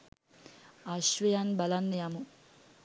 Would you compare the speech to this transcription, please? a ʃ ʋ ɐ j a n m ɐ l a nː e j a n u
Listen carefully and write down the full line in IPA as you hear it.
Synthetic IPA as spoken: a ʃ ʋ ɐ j a n b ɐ l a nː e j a m u